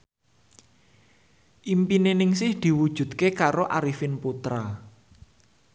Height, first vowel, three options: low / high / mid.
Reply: high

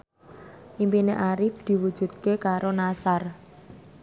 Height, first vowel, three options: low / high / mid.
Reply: high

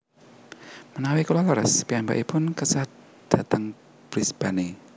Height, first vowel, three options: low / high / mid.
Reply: mid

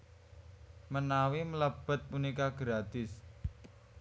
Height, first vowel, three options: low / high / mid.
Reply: mid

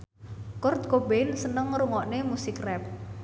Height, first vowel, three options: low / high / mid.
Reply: high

